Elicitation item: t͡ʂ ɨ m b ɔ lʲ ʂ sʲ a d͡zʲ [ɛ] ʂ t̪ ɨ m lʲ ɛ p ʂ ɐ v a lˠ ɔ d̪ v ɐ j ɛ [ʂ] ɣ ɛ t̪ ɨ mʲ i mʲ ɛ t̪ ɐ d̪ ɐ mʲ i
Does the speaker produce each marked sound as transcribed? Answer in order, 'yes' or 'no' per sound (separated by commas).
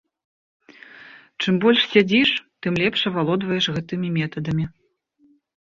no, yes